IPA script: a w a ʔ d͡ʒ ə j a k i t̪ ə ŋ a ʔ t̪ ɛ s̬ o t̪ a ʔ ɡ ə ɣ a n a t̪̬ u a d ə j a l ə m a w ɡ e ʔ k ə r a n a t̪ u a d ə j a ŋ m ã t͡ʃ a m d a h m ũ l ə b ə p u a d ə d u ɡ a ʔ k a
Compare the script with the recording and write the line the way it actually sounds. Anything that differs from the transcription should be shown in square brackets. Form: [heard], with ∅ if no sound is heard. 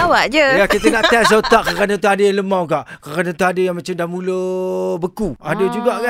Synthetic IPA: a w a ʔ d͡ʒ ə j a k i t̪ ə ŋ a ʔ t̪ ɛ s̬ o t̪ a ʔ [k] ə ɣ a n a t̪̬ u a d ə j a l ə m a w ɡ [a] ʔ k ə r a n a t̪ u a d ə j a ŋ m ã t͡ʃ a m d a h m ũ l ə b ə [k] u a d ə [d͡ʒ] u ɡ a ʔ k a